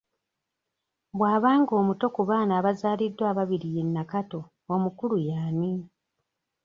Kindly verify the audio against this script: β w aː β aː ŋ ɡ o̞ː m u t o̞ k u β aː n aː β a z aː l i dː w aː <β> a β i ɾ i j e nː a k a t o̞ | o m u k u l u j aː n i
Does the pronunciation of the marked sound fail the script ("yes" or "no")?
no